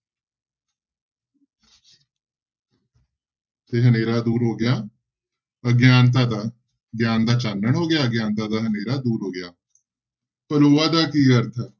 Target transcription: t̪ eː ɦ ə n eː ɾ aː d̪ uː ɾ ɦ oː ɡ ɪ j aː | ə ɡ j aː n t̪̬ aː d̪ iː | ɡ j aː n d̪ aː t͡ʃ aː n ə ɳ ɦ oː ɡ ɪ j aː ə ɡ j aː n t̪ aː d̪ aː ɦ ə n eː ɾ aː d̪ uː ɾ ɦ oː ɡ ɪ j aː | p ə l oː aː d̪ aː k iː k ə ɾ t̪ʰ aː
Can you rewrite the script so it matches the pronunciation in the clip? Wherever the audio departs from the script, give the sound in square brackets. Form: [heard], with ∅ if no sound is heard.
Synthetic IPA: t̪ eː ɦ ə n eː ɾ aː d̪ uː ɾ ɦ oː ɡ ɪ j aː | ə ɡ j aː n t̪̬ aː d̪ [aː] | ɡ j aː n d̪ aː t͡ʃ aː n ə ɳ ɦ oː ɡ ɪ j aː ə ɡ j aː n t̪ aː d̪ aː ɦ ə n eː ɾ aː d̪ uː ɾ ɦ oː ɡ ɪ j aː | p ə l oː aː d̪ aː k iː k ə ɾ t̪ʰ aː